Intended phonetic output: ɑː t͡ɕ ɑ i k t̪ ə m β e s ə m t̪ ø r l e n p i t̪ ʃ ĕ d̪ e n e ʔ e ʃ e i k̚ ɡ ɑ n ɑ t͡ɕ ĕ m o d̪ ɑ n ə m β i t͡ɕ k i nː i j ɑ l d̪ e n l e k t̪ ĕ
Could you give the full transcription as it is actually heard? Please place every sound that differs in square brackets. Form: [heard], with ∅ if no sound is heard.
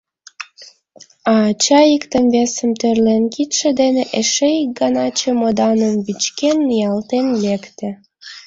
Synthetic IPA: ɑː t͡ɕ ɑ i k t̪ ə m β e s ə m t̪ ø r l e n [k] i t̪ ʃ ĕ d̪ e n e ʔ e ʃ e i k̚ ɡ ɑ n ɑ t͡ɕ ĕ m o d̪ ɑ n ə m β i t͡ɕ k [e] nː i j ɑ l [t̪] e n l e k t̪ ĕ